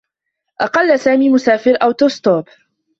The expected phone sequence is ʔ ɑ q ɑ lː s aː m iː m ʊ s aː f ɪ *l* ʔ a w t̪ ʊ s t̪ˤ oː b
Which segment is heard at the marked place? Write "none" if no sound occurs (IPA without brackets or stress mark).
ɾ